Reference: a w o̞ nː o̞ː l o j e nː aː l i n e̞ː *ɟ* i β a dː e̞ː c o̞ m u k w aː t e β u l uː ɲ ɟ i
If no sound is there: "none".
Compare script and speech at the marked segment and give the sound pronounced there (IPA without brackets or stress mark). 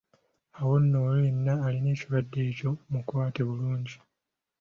c